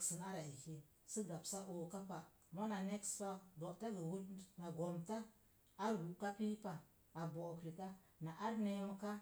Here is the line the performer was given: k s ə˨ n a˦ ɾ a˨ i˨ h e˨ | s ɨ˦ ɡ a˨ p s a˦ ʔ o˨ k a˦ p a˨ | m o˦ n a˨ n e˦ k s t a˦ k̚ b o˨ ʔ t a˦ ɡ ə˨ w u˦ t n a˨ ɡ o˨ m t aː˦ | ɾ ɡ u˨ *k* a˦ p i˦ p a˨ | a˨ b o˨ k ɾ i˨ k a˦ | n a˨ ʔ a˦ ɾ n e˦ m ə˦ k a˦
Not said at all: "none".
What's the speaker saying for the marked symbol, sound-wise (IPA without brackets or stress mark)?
k